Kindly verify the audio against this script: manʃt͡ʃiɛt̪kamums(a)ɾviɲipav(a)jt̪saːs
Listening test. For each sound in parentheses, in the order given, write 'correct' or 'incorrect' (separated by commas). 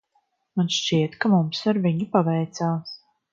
correct, incorrect